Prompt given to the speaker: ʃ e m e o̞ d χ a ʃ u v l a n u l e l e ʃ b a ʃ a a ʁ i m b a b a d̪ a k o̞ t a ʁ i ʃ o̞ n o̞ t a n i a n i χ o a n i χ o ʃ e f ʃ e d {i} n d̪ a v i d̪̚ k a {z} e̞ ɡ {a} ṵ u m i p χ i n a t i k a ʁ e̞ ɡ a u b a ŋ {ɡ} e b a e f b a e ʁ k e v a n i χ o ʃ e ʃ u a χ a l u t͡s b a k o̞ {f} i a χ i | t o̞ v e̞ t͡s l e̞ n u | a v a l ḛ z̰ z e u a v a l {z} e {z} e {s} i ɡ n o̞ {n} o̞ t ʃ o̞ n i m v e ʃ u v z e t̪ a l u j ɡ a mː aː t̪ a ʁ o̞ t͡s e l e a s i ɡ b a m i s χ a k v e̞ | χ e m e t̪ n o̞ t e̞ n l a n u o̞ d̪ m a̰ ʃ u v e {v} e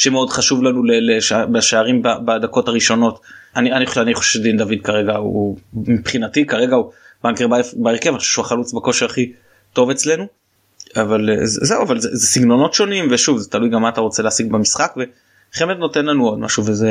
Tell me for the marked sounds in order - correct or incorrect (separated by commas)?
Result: correct, incorrect, correct, incorrect, incorrect, correct, correct, correct, correct, incorrect